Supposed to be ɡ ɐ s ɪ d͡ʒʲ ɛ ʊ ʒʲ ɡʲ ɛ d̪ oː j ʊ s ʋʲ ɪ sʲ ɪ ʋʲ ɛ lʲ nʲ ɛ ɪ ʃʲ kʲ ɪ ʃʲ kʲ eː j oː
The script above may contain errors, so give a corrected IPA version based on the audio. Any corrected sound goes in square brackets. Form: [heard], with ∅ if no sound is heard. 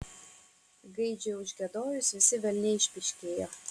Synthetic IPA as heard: ɡ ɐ [∅] ɪ d͡ʒʲ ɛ ʊ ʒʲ ɡʲ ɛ d̪ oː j ʊ s ʋʲ ɪ sʲ ɪ ʋʲ ɛ lʲ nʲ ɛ ɪ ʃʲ [pʲ] ɪ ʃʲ kʲ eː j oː